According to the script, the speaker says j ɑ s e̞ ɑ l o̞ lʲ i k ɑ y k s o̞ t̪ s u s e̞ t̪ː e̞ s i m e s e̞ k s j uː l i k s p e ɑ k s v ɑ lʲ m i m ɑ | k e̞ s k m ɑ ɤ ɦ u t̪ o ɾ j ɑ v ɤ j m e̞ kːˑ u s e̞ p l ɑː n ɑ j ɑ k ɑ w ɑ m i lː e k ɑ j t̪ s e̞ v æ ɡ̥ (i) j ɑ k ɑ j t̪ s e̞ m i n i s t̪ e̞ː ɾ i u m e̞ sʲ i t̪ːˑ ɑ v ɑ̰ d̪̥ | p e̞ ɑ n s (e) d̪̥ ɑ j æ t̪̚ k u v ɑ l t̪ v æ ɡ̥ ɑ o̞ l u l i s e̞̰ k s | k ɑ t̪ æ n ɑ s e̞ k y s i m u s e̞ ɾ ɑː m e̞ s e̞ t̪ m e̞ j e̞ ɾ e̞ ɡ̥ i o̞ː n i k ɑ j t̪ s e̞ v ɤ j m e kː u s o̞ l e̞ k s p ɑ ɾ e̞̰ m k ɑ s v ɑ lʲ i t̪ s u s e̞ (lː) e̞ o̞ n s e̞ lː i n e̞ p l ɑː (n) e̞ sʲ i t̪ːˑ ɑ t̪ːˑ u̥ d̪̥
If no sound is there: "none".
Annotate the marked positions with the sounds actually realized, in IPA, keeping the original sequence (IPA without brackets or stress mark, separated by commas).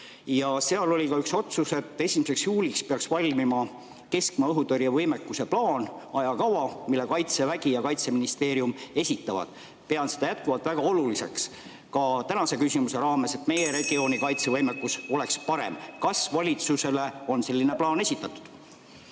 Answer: i, e, l, n